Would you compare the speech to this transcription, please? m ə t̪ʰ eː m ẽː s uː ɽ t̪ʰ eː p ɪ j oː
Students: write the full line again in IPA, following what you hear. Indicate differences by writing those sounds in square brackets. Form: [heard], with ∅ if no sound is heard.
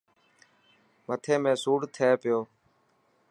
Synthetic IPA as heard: m ə t̪ʰ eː m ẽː s uː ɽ t̪ʰ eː p ɪ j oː